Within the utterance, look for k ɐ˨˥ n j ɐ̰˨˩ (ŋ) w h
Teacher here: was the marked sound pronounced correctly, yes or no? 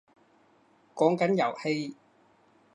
no